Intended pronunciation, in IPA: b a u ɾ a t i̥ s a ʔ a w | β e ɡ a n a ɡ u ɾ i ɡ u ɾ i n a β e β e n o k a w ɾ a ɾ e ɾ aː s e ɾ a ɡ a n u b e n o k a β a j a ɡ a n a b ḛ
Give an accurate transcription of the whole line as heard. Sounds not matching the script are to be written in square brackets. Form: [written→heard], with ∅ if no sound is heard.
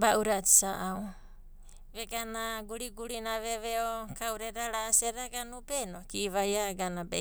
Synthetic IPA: b a u ɾ a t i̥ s a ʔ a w | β e ɡ a n a ɡ u ɾ i ɡ u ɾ i n a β e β e [n→∅] o k a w ɾ [a→e] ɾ [e→a] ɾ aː s e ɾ a ɡ a n u b e n o k [a→i] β a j a ɡ a n a b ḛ